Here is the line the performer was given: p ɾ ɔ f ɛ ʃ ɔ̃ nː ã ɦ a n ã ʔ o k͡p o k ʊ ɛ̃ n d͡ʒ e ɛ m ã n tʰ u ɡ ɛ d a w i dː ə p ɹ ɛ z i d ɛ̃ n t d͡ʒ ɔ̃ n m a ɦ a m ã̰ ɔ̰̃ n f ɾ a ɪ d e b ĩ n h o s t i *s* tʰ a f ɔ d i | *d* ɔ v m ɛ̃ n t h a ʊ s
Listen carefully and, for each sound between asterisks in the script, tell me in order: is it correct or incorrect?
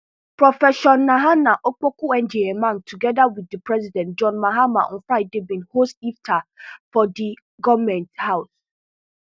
incorrect: f, incorrect: ɡ

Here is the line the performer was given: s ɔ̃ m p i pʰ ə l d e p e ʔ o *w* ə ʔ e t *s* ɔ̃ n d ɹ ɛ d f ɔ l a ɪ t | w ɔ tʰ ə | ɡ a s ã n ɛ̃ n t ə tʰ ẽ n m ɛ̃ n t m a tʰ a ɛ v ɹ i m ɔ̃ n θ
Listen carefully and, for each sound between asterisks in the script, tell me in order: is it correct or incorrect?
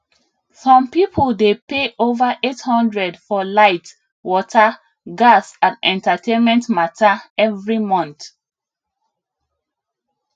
incorrect: v, incorrect: h

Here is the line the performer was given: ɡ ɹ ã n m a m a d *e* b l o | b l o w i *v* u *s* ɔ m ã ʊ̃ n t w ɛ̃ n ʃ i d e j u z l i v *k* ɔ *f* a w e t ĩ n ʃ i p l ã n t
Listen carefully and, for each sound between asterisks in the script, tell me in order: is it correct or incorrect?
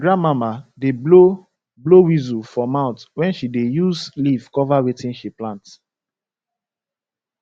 correct, incorrect: z, incorrect: f, correct, incorrect: v

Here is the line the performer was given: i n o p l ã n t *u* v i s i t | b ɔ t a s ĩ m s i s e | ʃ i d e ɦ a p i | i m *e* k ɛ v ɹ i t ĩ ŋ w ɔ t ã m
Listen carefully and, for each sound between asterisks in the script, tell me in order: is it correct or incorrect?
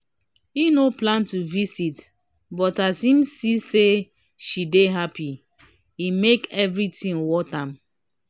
correct, correct

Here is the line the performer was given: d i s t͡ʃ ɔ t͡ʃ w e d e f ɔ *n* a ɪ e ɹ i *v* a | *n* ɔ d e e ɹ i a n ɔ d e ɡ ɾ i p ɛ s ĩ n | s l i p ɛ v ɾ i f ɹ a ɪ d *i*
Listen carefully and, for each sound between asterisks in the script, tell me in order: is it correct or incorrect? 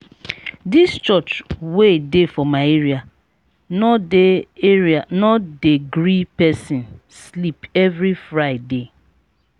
incorrect: m, incorrect: none, correct, incorrect: e

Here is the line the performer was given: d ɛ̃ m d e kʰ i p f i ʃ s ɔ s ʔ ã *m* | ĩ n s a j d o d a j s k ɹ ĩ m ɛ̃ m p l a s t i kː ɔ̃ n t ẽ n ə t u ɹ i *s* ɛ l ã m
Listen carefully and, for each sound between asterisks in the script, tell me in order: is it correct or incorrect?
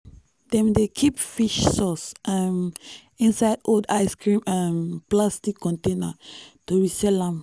correct, correct

